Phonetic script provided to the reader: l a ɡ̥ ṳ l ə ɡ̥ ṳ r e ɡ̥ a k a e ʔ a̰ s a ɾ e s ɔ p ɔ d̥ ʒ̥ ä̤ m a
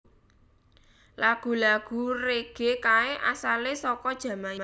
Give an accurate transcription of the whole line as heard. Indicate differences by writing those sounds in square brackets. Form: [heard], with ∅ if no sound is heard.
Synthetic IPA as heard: l a ɡ̥ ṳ l [a] ɡ̥ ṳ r e ɡ̥ [e] k a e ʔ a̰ s a [l] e s ɔ [k] ɔ d̥ ʒ̥ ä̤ m a